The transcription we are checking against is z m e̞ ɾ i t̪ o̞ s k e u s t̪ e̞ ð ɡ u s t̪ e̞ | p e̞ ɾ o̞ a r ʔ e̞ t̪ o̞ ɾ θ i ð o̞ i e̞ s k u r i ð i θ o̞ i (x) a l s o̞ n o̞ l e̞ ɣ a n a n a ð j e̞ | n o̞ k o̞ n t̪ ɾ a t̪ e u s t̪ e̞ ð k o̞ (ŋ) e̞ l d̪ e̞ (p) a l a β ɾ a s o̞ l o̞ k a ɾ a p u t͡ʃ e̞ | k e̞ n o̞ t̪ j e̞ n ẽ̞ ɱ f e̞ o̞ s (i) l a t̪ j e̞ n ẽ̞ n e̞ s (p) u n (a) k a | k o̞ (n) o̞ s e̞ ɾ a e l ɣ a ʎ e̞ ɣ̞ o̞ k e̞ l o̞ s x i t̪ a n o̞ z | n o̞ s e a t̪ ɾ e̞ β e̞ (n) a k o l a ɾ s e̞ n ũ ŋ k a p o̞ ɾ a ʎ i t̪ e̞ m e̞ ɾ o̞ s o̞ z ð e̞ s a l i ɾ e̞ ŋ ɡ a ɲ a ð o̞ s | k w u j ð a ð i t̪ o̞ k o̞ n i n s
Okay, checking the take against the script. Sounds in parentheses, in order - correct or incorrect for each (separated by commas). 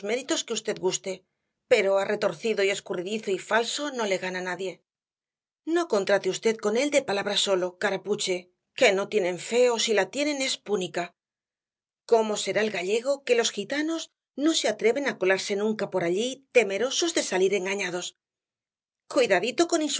incorrect, incorrect, correct, correct, correct, incorrect, incorrect, correct